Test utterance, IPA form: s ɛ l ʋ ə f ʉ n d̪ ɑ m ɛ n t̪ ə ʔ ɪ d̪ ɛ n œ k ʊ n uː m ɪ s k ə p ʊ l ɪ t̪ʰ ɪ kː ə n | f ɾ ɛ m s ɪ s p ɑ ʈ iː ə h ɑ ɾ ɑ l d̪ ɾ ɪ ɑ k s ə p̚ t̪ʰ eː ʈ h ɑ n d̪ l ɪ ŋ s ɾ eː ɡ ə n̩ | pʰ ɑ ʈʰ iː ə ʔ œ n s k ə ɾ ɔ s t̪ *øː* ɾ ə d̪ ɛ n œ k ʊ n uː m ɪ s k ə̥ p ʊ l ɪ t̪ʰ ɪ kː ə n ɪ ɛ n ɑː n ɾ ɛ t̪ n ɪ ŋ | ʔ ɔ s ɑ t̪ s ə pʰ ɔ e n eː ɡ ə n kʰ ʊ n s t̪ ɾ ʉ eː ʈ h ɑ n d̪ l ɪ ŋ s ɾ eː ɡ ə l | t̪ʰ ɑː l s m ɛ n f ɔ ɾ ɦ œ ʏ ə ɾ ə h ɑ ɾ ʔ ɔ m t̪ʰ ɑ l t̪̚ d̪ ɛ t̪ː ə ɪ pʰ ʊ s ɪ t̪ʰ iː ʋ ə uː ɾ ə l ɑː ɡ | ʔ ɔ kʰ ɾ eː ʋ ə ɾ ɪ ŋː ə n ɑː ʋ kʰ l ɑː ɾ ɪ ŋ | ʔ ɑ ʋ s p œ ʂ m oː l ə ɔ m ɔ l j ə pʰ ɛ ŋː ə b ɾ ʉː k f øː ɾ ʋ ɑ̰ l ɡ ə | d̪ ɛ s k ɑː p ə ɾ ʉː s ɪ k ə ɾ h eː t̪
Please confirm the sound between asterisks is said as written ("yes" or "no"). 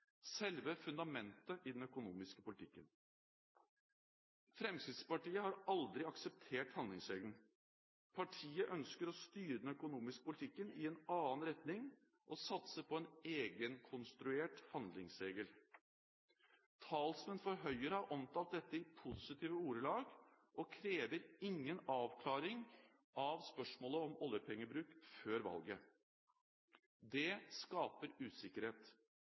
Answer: no